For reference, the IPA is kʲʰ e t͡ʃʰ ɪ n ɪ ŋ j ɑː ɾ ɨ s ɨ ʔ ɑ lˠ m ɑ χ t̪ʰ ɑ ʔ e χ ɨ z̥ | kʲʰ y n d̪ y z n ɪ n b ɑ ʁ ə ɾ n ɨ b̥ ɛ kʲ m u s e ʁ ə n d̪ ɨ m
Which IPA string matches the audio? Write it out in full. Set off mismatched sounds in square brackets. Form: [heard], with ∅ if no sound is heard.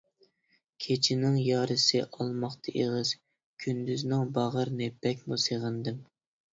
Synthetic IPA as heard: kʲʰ e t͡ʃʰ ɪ n ɪ ŋ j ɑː ɾ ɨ s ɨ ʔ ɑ lˠ m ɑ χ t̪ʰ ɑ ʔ e [ʁ] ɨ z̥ | kʲʰ y n d̪ y z n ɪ [ŋ] b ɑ ʁ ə ɾ n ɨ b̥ ɛ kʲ m u s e ʁ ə n d̪ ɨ m